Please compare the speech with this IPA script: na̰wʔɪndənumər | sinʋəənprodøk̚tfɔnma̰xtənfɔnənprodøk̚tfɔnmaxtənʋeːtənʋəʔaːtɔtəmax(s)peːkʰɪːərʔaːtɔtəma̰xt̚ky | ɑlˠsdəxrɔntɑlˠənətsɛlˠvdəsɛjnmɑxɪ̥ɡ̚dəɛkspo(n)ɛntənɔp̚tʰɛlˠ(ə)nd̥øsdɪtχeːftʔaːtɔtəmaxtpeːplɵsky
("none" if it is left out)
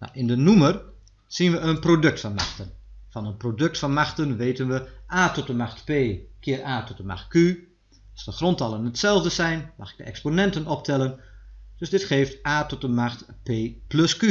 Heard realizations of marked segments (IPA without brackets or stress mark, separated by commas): t, n, ə